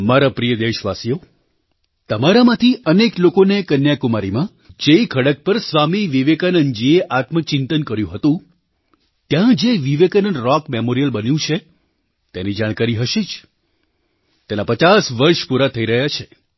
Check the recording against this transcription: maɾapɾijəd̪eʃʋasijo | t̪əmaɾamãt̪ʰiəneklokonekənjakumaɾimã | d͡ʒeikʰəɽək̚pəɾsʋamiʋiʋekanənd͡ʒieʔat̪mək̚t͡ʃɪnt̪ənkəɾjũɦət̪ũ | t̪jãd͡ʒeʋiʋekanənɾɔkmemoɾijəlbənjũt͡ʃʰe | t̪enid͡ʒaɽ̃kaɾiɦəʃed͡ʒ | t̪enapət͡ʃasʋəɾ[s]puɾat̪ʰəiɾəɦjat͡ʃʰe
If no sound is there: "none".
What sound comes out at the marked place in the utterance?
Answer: ʃ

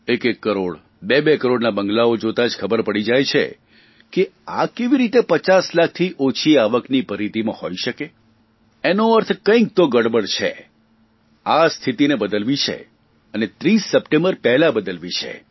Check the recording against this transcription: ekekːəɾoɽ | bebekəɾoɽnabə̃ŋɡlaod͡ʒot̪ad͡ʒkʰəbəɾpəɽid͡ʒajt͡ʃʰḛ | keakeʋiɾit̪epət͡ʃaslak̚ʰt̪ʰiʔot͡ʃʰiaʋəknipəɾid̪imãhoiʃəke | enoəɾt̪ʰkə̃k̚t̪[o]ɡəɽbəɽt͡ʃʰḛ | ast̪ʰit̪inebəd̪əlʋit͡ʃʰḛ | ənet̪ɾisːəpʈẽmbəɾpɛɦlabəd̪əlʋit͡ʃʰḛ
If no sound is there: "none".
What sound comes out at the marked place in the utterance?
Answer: o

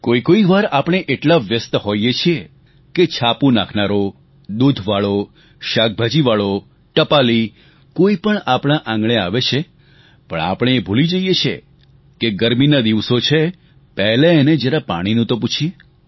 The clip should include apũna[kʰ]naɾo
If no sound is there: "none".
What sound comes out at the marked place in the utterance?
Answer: kʰ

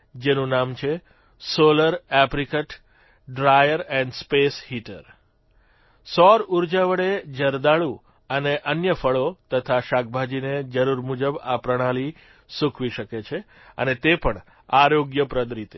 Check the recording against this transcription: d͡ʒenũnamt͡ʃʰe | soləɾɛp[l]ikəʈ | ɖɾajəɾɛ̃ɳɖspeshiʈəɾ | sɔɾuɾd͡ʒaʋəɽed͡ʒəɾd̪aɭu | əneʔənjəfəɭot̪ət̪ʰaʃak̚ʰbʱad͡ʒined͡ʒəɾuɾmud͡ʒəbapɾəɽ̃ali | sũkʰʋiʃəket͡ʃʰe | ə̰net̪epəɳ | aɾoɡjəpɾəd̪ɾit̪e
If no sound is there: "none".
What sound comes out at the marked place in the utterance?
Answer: ɾ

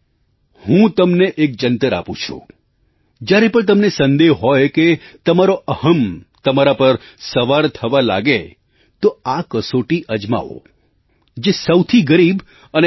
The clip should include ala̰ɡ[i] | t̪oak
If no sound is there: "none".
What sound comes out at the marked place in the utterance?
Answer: e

